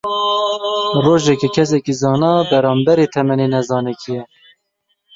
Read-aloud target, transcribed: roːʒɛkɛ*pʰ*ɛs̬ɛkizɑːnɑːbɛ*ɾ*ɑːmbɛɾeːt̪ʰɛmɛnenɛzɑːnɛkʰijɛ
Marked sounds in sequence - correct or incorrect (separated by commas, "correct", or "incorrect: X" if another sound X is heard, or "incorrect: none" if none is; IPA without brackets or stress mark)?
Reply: incorrect: kʰ, correct